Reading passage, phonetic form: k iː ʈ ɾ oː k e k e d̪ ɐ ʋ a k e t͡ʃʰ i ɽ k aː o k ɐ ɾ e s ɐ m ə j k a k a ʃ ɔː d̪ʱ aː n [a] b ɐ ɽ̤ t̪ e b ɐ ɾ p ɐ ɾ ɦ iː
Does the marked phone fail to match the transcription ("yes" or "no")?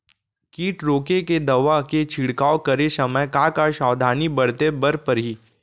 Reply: yes